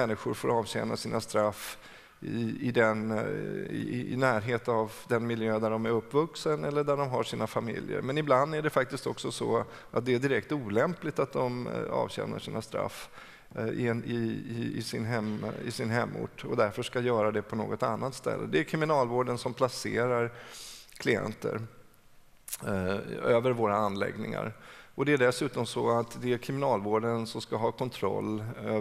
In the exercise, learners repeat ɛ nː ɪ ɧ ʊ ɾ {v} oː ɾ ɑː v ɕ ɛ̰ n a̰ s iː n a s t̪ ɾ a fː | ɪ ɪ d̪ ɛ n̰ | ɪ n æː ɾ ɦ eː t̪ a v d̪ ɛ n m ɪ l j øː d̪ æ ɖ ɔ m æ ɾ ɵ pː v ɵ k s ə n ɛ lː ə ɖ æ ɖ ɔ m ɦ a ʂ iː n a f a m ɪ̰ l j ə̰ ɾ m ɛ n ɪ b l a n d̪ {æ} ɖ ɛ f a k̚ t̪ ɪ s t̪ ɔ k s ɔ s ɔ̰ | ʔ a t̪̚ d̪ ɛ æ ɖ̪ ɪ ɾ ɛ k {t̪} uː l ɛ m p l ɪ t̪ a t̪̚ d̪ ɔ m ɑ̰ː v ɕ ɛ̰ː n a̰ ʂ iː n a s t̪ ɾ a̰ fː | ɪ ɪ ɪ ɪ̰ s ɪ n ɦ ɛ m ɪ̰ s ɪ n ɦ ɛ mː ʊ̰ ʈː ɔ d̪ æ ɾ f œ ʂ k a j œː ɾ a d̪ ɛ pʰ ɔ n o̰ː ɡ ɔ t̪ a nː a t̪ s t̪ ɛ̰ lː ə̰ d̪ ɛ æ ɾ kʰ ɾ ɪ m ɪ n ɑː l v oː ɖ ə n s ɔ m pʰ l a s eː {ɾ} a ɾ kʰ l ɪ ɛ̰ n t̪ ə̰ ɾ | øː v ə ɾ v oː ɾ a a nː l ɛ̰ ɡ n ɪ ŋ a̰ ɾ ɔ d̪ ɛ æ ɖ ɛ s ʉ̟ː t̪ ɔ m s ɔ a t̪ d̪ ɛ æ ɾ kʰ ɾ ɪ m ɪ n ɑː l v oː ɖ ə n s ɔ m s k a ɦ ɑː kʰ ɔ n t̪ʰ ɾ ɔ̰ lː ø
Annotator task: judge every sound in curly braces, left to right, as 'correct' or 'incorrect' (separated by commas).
incorrect, correct, correct, correct